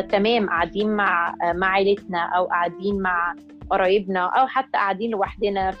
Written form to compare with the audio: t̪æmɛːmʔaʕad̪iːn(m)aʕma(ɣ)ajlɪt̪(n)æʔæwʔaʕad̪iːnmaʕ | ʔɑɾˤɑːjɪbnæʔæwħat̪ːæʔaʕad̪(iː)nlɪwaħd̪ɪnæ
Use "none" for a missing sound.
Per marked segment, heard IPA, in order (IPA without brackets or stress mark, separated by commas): m, ʕ, n, iː